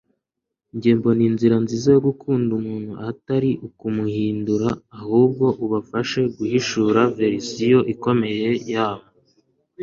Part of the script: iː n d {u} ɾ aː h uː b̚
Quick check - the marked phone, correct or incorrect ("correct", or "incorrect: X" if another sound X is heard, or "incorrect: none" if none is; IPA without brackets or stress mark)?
correct